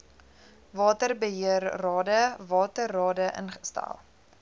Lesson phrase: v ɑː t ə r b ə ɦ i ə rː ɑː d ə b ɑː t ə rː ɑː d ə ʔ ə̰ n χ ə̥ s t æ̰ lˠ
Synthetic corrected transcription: v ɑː t ə r b ə ɦ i ə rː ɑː d ə v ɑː t ə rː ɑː d ə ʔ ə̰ n χ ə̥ s t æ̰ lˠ